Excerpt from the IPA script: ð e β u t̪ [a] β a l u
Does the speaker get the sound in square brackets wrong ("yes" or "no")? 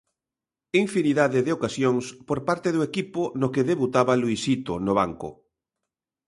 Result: no